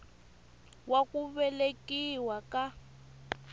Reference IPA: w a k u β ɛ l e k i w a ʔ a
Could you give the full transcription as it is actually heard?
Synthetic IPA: w a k u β ɛ l e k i w a k a